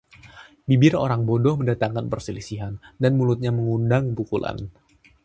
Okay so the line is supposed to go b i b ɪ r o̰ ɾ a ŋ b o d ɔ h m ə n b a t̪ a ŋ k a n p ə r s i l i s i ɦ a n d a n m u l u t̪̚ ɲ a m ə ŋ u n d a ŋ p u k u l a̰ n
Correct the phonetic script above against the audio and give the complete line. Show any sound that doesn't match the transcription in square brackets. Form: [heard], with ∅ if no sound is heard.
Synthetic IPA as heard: b i b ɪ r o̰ ɾ a ŋ b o d ɔ h m ə n [d] a t̪ a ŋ k a n p ə r s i l i s i ɦ a n d a n m u l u t̪̚ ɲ a m ə ŋ u n d a ŋ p u k u l a̰ n